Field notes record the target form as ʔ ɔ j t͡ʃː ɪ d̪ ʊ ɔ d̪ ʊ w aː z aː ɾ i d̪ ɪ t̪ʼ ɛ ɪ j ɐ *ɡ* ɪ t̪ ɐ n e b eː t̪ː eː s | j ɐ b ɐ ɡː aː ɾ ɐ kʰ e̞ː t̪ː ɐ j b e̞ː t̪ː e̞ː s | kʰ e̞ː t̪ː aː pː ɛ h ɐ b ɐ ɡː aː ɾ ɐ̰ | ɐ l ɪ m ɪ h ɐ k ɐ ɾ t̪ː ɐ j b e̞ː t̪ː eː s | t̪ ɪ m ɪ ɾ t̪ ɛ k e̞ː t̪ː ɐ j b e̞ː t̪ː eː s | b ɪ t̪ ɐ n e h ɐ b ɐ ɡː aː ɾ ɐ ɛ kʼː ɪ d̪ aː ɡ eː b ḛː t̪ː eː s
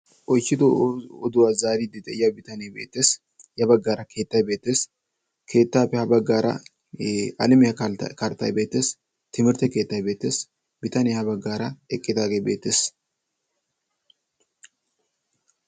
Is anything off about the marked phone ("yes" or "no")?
yes